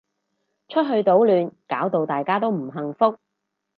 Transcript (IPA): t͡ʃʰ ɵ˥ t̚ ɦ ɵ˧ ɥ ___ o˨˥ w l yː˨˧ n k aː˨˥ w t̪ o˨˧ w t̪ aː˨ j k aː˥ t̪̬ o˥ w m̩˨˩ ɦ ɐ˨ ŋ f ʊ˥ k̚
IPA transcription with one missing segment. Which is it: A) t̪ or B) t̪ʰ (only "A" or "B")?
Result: A